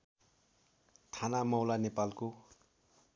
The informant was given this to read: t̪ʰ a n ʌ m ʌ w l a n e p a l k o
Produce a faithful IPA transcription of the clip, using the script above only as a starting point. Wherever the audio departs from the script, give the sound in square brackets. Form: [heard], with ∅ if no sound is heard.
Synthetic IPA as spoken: t̪ʰ a n [a] m ʌ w l a n e p a l k o